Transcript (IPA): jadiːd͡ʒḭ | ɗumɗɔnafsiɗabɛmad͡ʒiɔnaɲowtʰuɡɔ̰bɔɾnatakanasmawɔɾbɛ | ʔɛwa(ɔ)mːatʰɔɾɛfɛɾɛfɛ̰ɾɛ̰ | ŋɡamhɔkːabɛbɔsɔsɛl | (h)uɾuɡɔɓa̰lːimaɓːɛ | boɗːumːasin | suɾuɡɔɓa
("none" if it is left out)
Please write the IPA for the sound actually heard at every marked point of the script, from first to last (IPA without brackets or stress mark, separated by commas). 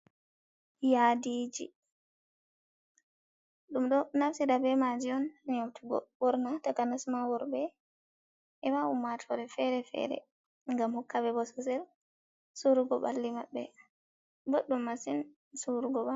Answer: u, s